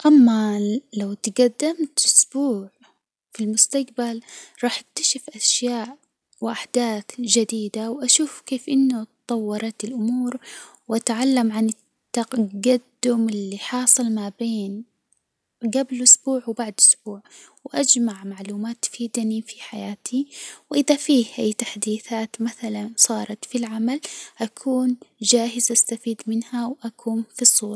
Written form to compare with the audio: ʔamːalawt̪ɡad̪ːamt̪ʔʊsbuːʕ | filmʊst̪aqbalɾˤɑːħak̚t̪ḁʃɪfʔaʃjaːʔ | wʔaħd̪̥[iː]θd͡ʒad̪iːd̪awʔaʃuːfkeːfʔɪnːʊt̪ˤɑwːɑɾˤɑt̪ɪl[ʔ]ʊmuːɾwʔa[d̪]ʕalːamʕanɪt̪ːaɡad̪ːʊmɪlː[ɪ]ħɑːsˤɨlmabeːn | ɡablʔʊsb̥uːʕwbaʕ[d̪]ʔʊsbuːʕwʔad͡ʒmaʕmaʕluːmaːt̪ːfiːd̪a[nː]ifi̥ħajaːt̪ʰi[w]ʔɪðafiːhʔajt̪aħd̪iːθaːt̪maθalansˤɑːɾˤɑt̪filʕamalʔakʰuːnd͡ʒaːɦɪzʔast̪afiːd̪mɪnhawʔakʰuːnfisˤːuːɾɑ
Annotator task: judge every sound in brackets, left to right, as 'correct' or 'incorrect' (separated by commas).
incorrect, correct, incorrect, incorrect, correct, incorrect, correct